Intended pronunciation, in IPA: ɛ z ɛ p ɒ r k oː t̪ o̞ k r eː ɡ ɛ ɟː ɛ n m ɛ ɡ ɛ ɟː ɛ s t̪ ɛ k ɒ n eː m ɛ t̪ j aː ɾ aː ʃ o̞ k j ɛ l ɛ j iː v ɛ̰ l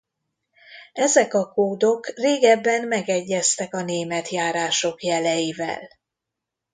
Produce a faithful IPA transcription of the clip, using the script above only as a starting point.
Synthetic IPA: ɛ z ɛ k ɒ k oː d̪ o̞ k r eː ɡ ɛ bː ɛ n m ɛ ɡ ɛ ɟː ɛ s t̪ ɛ k ɒ n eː m ɛ t̪ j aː ɾ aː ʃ o̞ k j ɛ l ɛ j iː v ɛ̰ l